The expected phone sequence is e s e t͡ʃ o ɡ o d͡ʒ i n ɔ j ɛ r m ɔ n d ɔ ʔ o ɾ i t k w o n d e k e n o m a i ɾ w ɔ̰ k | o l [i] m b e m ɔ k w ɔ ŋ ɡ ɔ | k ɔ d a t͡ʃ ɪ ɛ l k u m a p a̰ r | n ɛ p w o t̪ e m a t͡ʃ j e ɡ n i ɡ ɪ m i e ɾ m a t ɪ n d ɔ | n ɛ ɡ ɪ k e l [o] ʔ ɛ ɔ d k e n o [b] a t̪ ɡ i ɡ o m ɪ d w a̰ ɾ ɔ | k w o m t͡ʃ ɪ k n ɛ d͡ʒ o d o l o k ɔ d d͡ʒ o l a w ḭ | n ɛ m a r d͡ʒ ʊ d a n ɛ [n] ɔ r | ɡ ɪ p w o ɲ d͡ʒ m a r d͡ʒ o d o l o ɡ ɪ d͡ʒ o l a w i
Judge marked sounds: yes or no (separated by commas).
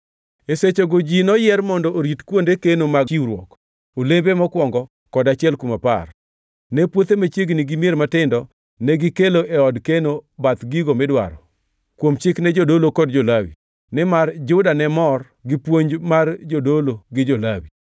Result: no, yes, yes, no